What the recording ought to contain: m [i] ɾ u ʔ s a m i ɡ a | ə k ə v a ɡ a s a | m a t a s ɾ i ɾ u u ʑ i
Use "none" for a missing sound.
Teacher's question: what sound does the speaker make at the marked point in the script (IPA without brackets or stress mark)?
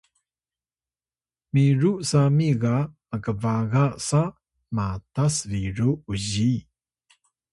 i